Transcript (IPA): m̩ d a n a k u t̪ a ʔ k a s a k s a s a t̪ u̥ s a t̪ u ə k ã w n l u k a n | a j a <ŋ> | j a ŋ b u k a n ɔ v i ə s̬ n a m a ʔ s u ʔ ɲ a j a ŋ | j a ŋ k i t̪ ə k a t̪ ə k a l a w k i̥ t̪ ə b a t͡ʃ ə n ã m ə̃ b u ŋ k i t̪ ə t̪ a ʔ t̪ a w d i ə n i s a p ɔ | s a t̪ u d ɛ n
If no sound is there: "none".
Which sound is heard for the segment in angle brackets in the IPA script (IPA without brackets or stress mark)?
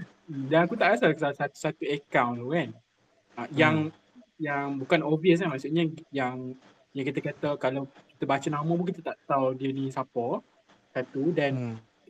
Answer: ŋ